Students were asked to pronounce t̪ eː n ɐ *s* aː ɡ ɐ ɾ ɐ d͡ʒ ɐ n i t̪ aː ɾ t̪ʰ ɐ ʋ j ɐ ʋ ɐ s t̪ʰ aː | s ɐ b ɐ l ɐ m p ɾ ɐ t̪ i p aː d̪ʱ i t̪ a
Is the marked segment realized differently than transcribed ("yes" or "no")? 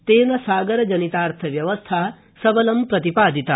no